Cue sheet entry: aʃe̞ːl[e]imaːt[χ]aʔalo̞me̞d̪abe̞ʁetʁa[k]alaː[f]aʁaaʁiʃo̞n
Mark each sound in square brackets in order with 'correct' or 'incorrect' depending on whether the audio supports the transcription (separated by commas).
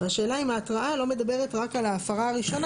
incorrect, incorrect, correct, correct